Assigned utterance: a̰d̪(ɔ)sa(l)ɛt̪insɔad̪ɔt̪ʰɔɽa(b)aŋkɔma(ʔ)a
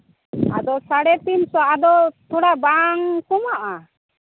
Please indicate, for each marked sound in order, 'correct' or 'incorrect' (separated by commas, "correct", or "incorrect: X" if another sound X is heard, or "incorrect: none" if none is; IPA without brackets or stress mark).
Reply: correct, incorrect: ɽ, correct, correct